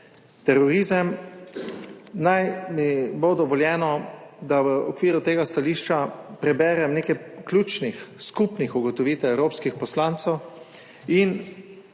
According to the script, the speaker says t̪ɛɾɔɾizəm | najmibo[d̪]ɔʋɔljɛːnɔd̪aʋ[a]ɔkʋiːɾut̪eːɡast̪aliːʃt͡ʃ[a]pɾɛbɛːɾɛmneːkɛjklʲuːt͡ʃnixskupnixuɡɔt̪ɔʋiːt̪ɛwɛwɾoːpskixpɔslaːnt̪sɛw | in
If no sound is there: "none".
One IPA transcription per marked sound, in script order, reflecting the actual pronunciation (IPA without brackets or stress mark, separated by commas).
d̪, ə, a